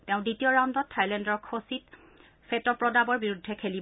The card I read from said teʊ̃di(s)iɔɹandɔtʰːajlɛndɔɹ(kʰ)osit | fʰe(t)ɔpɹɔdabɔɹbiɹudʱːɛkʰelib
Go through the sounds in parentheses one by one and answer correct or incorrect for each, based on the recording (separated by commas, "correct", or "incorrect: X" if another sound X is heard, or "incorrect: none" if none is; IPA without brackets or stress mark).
incorrect: t, correct, correct